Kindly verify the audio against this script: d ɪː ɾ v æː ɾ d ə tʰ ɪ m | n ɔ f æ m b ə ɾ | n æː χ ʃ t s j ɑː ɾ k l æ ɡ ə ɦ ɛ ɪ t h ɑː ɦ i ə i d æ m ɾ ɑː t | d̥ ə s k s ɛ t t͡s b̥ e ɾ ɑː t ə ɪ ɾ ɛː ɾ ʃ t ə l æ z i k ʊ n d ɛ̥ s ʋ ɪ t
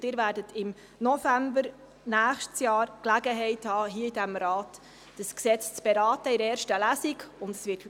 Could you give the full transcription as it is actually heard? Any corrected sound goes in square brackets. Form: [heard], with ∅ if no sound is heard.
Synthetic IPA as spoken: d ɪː ɾ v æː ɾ d ə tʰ ɪ m | n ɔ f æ m b ə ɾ | n æː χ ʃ t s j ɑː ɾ k l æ ɡ ə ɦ ɛ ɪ t h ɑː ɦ i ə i d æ m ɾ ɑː t | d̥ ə s k s ɛ [t͡s] t͡s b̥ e ɾ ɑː t ə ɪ ɾ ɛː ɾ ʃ t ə l æ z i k ʊ n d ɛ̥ s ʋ ɪ t